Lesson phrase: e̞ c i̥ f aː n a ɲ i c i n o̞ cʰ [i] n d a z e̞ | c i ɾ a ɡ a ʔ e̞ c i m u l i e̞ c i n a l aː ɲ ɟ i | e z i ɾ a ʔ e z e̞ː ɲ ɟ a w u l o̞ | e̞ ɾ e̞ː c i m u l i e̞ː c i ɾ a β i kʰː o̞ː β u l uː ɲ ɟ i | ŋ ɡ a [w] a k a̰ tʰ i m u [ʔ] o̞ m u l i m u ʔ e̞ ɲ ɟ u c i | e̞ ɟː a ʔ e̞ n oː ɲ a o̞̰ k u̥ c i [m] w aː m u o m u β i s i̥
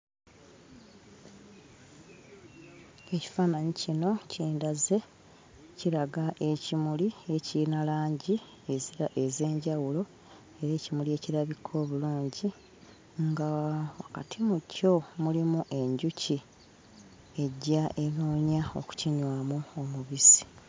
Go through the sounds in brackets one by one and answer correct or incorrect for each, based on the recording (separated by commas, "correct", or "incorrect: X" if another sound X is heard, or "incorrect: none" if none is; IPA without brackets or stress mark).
incorrect: iː, correct, incorrect: c, incorrect: ɲ